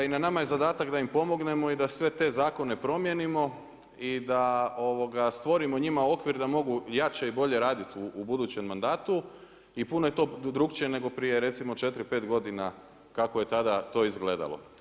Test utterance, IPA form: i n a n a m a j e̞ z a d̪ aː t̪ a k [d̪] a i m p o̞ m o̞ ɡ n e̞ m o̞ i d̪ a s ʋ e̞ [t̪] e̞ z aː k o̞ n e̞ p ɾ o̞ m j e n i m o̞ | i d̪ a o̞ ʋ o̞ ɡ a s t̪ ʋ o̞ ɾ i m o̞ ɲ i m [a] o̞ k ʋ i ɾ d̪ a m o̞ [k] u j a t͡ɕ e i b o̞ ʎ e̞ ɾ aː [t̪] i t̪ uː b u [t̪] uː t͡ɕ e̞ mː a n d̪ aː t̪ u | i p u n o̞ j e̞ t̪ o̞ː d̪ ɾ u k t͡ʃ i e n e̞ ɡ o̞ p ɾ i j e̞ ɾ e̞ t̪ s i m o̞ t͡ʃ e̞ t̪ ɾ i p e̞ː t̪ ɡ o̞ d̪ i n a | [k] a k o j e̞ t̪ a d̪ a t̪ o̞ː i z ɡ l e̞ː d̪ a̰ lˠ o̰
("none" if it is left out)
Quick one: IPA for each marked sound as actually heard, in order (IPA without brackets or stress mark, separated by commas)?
d̪, t̪, a, ɡ, d̪, d̪, k